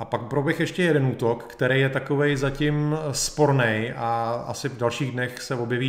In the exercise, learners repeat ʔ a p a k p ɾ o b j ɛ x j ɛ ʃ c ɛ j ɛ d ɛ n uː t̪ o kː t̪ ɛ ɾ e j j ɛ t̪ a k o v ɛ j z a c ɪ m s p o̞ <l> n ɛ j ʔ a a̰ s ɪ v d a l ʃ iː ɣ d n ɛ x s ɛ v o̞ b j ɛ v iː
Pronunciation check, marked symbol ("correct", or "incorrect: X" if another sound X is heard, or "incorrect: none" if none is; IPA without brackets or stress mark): incorrect: ɾ